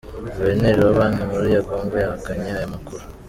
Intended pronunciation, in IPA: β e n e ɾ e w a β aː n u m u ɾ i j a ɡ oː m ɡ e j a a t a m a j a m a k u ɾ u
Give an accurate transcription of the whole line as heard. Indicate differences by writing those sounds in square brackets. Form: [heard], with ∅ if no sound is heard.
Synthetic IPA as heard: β e n e ɾ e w a β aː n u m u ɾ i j a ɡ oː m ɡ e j a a [k] a [ɲ] a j a m a k u ɾ u